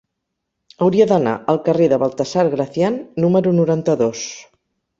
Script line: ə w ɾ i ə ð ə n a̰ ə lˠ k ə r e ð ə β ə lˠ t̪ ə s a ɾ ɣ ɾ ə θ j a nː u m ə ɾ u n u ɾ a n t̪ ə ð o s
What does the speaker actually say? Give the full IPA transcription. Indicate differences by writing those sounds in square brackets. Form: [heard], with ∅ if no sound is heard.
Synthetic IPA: ə w ɾ i ə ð ə n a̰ ə lˠ k ə r e ð ə β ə lˠ t̪ ə s a ɾ ɣ ɾ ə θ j a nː u m ə ɾ u n u ɾ a n t̪ ə ð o s